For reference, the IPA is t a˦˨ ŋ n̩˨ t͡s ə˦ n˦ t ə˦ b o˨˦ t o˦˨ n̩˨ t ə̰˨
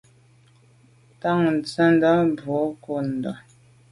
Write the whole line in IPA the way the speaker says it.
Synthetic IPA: t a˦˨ ŋ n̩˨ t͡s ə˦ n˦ d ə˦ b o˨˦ k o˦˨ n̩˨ d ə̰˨